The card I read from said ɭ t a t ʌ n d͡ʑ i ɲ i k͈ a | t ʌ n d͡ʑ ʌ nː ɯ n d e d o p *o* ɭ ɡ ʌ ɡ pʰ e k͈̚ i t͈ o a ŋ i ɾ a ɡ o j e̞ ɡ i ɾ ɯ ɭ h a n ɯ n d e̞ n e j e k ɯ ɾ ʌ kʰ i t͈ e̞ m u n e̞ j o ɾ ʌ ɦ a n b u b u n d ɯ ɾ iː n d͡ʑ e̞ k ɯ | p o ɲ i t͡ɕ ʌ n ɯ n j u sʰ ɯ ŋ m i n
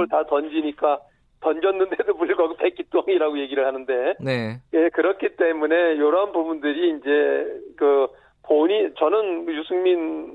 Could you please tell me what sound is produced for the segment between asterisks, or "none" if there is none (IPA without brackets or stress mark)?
u